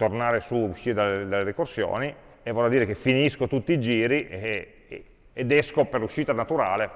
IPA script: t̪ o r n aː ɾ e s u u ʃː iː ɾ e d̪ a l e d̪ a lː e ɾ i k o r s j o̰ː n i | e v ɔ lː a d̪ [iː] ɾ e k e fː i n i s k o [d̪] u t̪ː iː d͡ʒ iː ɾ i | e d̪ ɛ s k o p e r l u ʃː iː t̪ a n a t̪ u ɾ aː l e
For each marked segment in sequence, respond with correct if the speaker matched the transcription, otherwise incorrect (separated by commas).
correct, incorrect